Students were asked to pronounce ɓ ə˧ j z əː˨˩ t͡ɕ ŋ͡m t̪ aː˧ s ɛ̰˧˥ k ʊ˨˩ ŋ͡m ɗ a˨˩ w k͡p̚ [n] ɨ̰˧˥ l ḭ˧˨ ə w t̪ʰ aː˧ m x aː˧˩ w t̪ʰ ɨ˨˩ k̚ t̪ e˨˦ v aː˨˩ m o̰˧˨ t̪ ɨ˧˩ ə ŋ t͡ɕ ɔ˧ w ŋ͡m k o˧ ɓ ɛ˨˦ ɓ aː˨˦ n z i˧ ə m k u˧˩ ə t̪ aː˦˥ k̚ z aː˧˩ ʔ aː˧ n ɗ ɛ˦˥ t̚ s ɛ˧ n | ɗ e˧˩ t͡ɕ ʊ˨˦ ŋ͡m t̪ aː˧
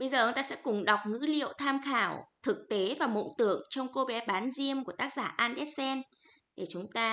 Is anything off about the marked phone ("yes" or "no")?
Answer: yes